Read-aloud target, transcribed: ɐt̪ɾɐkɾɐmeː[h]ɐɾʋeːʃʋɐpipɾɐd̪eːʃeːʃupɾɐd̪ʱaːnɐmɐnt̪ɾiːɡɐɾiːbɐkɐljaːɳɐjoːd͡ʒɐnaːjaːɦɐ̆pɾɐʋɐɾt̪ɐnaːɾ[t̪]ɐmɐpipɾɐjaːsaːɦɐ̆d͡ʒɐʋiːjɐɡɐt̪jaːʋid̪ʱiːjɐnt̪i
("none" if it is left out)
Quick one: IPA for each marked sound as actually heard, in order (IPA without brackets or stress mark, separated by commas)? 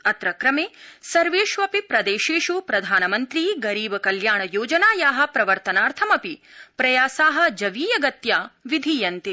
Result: s, t̪ʰ